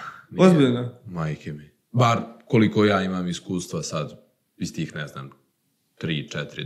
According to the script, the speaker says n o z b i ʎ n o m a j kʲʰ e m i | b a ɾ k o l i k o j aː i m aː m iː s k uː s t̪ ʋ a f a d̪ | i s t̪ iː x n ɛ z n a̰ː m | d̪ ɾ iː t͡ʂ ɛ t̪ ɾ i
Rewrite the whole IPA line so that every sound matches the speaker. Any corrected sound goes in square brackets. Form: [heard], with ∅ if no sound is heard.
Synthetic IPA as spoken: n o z b i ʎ n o m a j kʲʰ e m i | b a ɾ k o l i k o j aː i m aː m [i] s k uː s t̪ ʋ a [s] a d̪ | i s t̪ iː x n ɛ z n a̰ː m | [t̪] ɾ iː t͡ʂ ɛ t̪ ɾ i